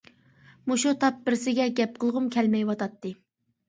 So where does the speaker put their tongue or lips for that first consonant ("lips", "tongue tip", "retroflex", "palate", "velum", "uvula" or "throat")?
lips